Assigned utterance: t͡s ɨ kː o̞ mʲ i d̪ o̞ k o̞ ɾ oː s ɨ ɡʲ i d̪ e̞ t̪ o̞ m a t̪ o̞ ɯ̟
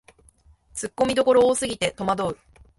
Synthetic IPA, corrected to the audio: t͡s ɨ kː o̞ mʲ i d̪ o̞ k o̞ ɾ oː s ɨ ɡʲ i t̪ e̞ t̪ o̞ m a d̪ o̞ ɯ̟